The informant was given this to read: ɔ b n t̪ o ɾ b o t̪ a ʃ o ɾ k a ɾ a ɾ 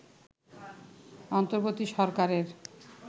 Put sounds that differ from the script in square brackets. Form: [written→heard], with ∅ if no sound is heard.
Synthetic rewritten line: ɔ [b→∅] n t̪ o ɾ b o t̪ [a→i] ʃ [o→ɔ] ɾ k a ɾ [a→e] ɾ